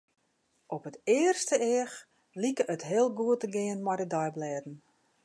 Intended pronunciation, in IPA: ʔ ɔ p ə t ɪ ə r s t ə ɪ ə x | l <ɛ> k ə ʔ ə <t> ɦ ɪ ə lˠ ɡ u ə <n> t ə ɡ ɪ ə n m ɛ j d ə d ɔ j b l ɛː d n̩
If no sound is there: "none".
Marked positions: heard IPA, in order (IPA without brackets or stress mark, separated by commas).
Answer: i, t, none